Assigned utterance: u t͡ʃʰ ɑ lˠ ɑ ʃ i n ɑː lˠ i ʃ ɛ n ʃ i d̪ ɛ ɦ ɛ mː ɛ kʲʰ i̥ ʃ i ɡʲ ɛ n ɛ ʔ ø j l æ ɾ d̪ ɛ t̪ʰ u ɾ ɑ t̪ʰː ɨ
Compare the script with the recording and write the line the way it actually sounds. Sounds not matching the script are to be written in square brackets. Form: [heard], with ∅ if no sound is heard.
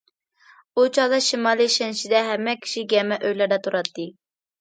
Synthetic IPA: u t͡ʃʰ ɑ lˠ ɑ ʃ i [m] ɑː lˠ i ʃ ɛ n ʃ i d̪ ɛ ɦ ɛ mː ɛ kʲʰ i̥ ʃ i ɡʲ ɛ [m] ɛ ʔ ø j l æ ɾ d̪ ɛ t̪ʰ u ɾ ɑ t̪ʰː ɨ